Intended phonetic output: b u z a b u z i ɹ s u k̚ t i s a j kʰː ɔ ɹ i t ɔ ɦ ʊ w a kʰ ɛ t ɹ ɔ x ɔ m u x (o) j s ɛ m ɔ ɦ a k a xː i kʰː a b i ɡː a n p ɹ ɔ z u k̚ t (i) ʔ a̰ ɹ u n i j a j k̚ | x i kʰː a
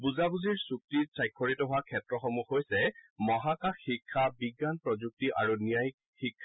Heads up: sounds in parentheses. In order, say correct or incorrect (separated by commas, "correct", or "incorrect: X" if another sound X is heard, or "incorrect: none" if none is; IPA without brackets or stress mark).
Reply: correct, correct